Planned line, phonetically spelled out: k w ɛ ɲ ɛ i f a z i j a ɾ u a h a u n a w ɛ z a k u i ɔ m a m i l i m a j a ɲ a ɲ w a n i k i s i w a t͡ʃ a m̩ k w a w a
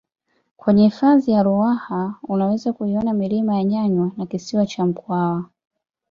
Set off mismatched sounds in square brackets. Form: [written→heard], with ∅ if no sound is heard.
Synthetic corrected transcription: k w ɛ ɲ ɛ i f a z i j a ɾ u a h a u n a w ɛ z a k u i ɔ [m→n] a m i l i m a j a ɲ a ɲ w a n [i→a] k i s i w a t͡ʃ a m̩ k w a w a